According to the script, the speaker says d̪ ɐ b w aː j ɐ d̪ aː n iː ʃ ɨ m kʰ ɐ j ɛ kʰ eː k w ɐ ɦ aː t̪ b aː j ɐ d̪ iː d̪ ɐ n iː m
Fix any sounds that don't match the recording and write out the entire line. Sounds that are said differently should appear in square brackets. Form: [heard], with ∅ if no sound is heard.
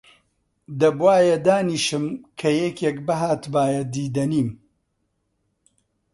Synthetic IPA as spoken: d̪ ɐ b w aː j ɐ d̪ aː n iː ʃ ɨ m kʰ ɐ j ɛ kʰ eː k [b] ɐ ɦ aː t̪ b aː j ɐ d̪ iː d̪ ɐ n iː m